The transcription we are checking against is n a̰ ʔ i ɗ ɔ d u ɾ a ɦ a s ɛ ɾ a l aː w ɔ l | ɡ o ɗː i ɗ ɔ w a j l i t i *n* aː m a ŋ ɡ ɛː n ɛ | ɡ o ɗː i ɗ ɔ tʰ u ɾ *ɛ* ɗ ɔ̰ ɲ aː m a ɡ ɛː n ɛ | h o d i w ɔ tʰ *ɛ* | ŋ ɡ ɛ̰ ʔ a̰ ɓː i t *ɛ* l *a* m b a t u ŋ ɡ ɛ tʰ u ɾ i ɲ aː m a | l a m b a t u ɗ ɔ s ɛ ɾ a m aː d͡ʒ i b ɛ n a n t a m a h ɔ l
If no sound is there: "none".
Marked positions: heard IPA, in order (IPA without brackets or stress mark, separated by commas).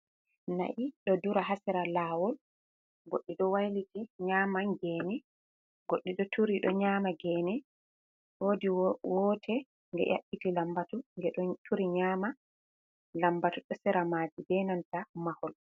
ɲ, i, ɛ, i, a